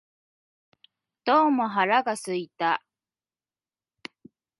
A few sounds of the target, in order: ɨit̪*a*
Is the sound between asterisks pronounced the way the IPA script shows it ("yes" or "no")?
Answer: yes